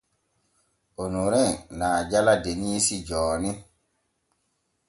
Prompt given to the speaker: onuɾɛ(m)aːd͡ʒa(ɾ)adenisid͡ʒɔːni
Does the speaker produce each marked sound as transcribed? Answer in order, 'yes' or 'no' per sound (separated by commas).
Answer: no, no